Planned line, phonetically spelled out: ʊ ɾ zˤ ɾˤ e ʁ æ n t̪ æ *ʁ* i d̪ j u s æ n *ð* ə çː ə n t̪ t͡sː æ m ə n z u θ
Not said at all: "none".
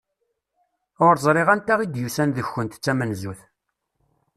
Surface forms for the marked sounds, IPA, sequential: ʁ, ð

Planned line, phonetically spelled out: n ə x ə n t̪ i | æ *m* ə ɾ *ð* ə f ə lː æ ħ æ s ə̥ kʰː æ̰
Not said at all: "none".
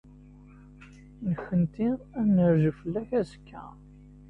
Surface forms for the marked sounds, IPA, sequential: n, ʒ

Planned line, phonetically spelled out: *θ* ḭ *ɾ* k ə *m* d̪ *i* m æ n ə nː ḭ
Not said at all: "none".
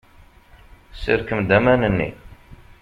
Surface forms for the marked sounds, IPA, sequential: s, ɾ, m, æ

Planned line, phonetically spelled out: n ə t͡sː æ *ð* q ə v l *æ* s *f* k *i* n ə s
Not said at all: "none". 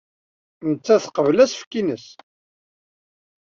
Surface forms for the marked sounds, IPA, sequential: θ, æ, f, i

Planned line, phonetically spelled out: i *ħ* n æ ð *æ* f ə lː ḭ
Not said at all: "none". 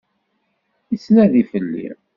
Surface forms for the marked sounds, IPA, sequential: s, i

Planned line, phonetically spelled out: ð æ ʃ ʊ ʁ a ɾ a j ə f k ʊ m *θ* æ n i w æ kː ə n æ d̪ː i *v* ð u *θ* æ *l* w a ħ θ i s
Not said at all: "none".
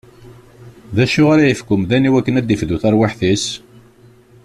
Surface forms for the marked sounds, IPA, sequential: ð, f, θ, ɾ

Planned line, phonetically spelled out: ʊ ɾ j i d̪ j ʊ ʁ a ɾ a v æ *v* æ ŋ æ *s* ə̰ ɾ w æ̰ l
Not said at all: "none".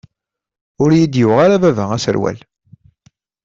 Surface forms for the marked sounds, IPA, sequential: v, s

